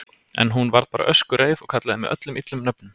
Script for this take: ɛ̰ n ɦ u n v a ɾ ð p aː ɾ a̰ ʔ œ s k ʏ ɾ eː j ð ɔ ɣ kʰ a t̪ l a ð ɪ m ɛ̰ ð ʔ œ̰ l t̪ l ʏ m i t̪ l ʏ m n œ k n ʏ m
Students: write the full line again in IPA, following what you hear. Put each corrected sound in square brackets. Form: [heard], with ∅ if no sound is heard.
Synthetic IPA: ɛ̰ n ɦ u n v a ɾ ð p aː ɾ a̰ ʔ œ s k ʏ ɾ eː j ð ɔ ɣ kʰ a t̪ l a ð ɪ m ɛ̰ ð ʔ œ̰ [∅] t̪ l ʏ m i t̪ l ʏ m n œ [p] n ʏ m